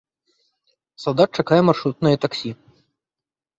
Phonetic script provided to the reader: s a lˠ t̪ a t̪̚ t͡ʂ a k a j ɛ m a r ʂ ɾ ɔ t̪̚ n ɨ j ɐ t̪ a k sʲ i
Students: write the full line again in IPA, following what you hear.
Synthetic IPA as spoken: s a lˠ d̪ a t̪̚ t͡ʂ a k a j ɛ m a r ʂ ɾ u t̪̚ n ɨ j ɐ t̪ a k sʲ i